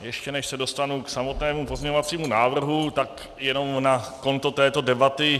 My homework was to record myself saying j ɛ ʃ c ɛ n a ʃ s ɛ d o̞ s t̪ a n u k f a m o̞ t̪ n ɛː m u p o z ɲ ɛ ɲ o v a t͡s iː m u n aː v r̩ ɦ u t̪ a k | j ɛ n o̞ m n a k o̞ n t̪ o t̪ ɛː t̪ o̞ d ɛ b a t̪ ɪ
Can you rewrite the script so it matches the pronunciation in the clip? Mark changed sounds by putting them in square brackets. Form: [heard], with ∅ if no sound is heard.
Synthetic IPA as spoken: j ɛ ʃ c ɛ n [ɛ] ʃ s ɛ d o̞ s t̪ a n u k [s] a m o̞ t̪ n ɛː m u p o z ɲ ɛ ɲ o v a t͡s iː m u n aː v r̩ ɦ u t̪ a k | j ɛ n o̞ m n a k o̞ n t̪ o t̪ ɛː t̪ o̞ d ɛ b a t̪ ɪ